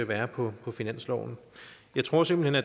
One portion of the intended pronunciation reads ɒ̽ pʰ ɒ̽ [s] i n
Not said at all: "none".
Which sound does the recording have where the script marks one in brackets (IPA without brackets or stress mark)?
f